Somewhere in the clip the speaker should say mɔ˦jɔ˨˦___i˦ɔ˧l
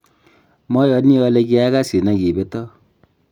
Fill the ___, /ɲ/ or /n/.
n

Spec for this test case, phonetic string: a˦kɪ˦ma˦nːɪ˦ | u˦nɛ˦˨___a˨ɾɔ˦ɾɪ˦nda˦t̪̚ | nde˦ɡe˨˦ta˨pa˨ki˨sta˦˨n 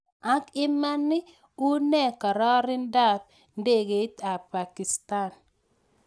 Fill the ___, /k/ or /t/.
k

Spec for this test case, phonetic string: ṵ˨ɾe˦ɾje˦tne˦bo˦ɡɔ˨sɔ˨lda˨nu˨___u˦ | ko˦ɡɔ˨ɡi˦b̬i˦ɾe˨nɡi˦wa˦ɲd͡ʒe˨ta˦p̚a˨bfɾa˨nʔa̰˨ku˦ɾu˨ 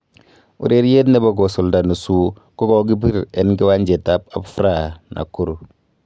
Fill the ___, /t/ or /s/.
s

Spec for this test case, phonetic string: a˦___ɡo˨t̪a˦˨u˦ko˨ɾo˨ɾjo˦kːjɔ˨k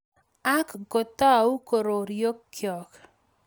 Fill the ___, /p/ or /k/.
k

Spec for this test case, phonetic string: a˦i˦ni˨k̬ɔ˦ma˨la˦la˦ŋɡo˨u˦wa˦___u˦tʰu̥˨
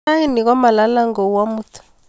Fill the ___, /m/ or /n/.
m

